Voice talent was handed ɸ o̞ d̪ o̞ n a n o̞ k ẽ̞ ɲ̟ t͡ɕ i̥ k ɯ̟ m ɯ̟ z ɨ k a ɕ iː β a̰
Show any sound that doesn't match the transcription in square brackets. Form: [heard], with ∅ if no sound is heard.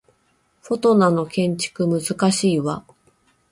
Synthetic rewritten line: ɸ o̞ [t̪] o̞ n a n o̞ k ẽ̞ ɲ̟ t͡ɕ i̥ k ɯ̟ m ɯ̟ z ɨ k a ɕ iː β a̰

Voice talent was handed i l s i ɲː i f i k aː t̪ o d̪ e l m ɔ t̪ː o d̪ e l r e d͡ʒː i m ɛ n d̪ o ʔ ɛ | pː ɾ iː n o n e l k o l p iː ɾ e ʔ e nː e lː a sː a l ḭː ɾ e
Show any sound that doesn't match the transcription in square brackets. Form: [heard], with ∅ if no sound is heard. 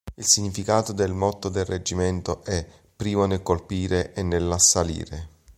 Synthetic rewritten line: i l s i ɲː i f i k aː t̪ o d̪ e l m ɔ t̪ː o d̪ e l r e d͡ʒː i m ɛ n [t̪] o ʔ ɛ | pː ɾ iː [m] o n e l k o l p iː ɾ e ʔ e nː e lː a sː a l ḭː ɾ e

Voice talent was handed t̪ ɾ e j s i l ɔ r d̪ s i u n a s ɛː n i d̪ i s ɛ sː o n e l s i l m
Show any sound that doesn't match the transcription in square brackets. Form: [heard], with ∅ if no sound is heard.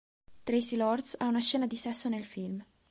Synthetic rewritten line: t̪ ɾ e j s i l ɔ r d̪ s [a] u n a [ʃ] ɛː n [a] d̪ i s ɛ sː o n e l [f] i l m

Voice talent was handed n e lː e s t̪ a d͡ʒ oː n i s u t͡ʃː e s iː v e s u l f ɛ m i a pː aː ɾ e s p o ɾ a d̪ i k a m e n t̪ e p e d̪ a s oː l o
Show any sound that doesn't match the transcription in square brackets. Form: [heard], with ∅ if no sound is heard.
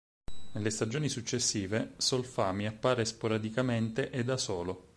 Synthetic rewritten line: n e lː e s t̪ a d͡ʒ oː n i s u t͡ʃː e [sː] iː v e s [o] l f [a] m i a pː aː ɾ e s p o ɾ a d̪ i k a m e n t̪ e [ʔ] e d̪ a s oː l o

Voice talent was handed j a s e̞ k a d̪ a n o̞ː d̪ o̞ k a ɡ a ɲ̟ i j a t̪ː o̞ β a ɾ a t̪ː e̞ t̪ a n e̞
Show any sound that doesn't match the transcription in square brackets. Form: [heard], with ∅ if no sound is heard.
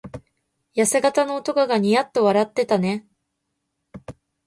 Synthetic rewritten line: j a s e̞ [ɡ] a [t̪] a n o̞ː [t̪] o̞ k a ɡ a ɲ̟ i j a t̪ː o̞ β a ɾ a t̪ː e̞ t̪ a n e̞

